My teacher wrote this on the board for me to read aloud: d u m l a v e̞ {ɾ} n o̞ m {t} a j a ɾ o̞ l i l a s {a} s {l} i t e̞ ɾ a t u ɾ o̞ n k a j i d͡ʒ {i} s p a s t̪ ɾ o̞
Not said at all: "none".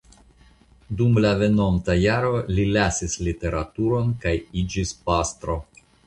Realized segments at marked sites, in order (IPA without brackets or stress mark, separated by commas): none, t, i, l, i